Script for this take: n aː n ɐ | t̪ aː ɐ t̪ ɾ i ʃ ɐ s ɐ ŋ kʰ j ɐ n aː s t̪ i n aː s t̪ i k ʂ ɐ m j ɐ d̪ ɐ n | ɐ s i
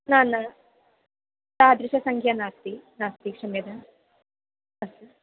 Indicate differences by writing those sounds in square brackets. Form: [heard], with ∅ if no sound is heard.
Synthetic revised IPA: n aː n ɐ | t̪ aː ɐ [d̪] ɾ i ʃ ɐ s ɐ ŋ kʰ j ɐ n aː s t̪ i n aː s t̪ i k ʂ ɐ m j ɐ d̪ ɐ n | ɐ s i